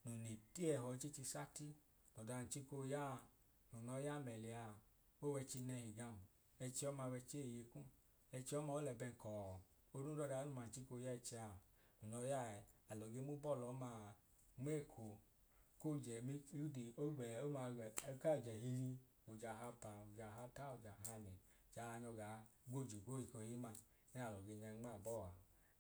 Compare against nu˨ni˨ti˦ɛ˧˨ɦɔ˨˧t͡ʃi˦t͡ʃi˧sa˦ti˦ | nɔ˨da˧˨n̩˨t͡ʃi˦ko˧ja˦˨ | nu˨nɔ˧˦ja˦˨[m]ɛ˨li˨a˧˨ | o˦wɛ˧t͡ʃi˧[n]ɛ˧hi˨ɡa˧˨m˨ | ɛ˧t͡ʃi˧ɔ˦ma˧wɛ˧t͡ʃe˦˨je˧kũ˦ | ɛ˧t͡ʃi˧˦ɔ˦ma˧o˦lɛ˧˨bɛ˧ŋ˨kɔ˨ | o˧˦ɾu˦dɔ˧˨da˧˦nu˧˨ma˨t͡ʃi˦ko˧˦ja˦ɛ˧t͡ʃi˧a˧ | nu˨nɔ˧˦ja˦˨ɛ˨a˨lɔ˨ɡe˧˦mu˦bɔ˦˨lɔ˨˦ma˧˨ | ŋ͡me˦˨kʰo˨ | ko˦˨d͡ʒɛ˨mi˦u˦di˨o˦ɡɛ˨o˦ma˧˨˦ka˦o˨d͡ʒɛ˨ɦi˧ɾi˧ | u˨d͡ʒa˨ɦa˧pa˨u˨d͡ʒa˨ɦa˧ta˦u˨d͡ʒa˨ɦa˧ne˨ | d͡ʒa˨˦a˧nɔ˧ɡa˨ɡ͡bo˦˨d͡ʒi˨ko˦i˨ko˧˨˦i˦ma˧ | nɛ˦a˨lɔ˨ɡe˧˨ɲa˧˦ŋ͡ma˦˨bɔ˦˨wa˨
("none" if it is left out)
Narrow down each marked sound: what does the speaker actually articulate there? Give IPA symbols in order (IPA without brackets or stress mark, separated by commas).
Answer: m, n